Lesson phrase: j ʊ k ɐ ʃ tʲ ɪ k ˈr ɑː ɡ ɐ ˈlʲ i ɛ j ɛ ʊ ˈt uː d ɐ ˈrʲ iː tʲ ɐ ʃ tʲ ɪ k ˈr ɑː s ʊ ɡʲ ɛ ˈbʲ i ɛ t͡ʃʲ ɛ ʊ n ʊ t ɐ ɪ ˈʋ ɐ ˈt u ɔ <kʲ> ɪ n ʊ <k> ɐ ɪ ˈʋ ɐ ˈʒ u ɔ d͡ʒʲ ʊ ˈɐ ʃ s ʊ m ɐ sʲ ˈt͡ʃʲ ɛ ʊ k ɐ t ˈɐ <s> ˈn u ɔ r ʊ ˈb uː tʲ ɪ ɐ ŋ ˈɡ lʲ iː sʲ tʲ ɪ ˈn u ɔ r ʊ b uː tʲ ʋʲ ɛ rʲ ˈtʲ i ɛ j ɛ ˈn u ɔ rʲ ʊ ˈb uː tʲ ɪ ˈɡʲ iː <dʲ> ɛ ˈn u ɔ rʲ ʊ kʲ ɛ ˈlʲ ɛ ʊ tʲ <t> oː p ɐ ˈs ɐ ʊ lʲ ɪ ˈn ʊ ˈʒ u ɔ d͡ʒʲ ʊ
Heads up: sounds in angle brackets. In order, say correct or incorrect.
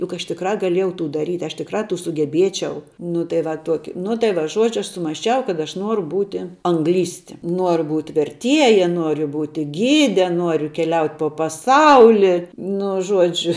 correct, incorrect, incorrect, correct, incorrect

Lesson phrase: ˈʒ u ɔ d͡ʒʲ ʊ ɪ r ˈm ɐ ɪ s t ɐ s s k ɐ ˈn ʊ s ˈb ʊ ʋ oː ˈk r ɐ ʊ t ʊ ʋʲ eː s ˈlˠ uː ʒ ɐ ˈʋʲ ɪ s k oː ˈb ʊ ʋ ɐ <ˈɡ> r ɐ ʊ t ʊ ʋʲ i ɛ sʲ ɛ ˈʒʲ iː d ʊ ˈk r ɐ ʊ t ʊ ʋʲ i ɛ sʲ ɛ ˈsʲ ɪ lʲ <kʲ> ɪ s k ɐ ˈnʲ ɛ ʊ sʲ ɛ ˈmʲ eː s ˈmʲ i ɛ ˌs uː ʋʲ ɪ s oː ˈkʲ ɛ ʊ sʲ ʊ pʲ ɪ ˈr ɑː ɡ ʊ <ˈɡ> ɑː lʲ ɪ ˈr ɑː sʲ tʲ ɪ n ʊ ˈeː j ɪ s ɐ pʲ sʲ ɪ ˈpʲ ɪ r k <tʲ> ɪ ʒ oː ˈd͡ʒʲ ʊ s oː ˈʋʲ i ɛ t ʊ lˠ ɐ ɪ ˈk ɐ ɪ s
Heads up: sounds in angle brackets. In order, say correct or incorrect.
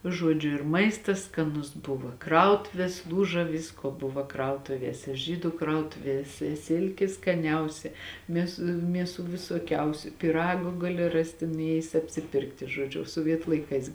incorrect, correct, correct, correct

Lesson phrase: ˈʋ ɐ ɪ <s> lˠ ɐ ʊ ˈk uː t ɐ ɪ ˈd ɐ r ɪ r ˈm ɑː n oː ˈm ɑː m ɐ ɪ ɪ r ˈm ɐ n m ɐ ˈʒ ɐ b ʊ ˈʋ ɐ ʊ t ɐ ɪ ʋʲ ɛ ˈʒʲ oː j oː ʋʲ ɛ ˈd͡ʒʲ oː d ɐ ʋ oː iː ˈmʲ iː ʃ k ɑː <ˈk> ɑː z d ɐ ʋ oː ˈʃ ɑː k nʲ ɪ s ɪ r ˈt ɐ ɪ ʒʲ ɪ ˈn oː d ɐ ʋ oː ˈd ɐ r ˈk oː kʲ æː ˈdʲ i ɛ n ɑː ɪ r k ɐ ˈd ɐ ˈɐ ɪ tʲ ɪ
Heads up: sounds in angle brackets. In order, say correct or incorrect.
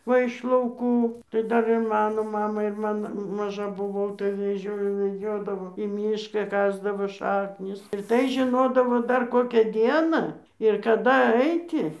incorrect, correct

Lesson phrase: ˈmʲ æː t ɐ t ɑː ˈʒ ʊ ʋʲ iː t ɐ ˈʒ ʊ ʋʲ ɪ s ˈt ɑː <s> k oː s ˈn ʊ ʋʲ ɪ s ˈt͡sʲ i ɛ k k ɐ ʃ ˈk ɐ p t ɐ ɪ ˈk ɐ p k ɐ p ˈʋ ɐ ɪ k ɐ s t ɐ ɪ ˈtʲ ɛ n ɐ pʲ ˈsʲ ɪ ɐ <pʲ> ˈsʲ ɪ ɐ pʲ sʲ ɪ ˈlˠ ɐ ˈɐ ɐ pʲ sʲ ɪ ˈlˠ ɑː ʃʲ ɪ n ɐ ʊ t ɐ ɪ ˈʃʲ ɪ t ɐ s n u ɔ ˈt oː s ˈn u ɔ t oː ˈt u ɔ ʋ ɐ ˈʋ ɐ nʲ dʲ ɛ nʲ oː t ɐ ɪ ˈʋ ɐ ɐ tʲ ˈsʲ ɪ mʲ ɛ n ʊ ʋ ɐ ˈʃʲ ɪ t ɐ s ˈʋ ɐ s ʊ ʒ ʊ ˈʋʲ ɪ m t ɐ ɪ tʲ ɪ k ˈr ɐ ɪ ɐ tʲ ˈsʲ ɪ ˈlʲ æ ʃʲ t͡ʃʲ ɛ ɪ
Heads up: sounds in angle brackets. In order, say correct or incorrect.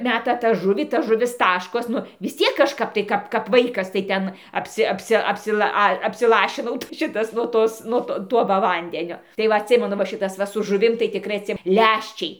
incorrect, correct

